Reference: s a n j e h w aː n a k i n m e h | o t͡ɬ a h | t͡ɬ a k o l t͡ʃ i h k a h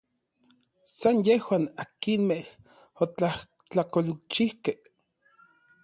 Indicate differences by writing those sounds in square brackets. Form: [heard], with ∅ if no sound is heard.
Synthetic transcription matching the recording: s a n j e h w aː n a k i n m e h | o t͡ɬ a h | t͡ɬ a k o l t͡ʃ i h k [e] h